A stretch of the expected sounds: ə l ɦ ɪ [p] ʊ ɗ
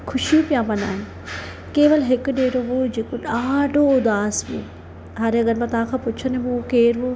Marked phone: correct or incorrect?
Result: incorrect